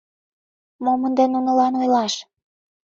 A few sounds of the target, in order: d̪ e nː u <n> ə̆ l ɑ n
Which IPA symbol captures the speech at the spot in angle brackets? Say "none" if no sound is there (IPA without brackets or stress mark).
n